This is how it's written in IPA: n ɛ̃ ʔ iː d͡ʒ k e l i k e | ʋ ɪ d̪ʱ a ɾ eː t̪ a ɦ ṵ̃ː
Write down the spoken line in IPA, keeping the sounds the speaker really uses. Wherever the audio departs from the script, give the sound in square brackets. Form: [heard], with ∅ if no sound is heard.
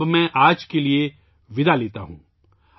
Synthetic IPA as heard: [m] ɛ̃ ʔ [aː] d͡ʒ k e l i [∅] e | ʋ ɪ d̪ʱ a [l] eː t̪ a ɦ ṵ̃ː

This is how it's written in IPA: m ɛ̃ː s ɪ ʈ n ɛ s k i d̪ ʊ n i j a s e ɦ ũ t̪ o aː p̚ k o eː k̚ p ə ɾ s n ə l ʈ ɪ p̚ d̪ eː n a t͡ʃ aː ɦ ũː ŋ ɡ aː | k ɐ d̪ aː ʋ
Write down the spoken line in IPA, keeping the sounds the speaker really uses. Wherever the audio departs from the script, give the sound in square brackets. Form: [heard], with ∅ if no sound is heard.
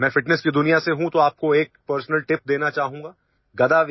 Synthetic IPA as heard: m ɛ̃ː [f] ɪ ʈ n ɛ s k i d̪ ʊ n i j a s e ɦ ũ t̪ o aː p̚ k o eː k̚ p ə ɾ s n ə l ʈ ɪ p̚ d̪ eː n a t͡ʃ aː ɦ ũː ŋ ɡ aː | [ɡ] ɐ d̪ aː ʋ

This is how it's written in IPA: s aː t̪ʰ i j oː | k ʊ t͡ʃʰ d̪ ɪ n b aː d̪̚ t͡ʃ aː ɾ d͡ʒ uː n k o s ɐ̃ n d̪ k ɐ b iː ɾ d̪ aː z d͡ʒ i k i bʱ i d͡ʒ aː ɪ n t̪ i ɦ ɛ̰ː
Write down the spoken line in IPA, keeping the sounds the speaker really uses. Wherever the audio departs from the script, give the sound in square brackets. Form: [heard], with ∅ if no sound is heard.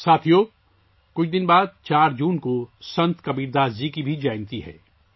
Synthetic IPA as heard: s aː t̪ʰ i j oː | k ʊ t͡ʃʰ d̪ ɪ n b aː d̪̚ t͡ʃ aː ɾ d͡ʒ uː n k o s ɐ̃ n [t̪] k ɐ b iː ɾ d̪ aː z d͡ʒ i k i bʱ i d͡ʒ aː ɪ n t̪ i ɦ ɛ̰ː

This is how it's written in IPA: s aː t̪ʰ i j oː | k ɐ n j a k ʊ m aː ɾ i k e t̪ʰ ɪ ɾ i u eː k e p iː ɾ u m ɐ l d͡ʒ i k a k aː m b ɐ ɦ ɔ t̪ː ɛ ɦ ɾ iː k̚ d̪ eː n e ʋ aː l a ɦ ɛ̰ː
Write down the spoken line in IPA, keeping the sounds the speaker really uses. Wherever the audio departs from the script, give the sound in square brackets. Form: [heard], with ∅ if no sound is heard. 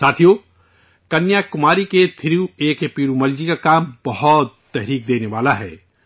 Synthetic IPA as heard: s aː t̪ʰ i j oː | k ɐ n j a k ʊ m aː ɾ i k e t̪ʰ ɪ ɾ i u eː k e p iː ɾ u m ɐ l d͡ʒ i k a k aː m b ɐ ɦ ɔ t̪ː ɛ ɦ ɾ iː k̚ d̪ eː n e ʋ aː l a ɦ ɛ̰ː

